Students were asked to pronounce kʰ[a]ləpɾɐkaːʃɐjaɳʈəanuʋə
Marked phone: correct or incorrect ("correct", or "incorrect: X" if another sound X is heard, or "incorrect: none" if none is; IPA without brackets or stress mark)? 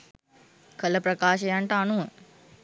incorrect: ə